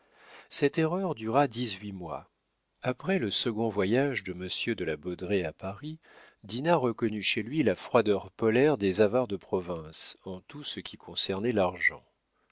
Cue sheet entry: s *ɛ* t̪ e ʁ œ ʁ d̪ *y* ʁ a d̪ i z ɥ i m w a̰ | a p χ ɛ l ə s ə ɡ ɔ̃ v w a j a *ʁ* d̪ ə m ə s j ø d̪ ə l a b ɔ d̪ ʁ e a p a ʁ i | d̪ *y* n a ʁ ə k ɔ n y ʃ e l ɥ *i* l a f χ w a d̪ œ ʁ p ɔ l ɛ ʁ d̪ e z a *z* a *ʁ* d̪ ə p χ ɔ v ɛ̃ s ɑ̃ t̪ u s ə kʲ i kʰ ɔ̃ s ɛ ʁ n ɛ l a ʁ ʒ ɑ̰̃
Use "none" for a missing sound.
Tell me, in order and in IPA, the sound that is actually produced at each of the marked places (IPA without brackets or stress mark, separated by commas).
ɛ, y, ʒ, i, i, v, ʁ